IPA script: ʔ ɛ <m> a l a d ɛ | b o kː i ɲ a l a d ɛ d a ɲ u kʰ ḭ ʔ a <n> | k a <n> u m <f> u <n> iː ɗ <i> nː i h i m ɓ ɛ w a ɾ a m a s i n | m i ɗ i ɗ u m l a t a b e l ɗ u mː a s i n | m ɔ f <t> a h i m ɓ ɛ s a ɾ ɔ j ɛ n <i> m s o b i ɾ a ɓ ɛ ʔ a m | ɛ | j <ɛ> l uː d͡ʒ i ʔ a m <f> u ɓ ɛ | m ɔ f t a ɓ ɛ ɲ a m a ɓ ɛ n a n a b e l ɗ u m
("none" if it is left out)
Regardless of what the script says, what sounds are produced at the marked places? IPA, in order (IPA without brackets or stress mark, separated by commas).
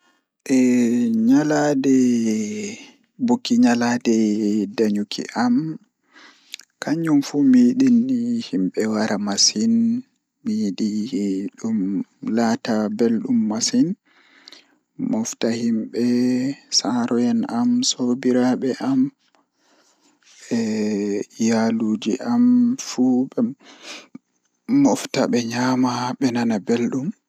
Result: ɲ, m, ɲ, f, m, i, t, a, a, f